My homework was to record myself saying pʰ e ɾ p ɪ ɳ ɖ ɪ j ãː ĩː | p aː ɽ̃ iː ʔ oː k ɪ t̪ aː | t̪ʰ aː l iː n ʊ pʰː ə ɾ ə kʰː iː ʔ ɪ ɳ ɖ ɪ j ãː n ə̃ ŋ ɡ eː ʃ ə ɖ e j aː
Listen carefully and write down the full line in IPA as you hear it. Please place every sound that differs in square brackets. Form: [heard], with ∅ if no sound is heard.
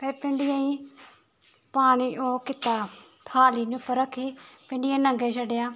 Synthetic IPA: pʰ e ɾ p ɪ ɳ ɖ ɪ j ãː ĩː | p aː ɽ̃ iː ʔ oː k ɪ t̪ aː | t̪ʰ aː l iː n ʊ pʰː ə ɾ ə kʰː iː [p] ɪ ɳ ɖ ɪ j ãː n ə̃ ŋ ɡ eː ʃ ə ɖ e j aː